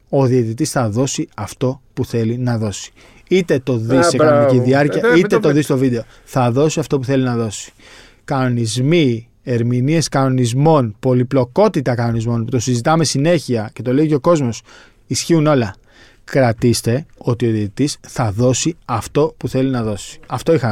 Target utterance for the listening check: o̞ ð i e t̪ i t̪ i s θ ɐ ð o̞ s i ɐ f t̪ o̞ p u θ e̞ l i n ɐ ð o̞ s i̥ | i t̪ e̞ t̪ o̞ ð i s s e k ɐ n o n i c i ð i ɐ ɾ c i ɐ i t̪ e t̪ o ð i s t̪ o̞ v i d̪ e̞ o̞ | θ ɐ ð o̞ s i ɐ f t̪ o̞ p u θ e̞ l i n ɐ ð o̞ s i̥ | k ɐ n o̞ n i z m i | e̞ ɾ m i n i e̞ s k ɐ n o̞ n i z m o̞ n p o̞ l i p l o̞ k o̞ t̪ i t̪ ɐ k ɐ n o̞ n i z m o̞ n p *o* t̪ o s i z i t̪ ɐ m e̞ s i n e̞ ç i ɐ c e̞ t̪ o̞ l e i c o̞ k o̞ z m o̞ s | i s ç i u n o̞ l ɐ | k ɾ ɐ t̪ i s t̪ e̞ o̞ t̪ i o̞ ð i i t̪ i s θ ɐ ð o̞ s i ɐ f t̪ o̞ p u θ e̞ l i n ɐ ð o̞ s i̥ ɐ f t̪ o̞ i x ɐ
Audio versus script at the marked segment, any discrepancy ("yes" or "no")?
yes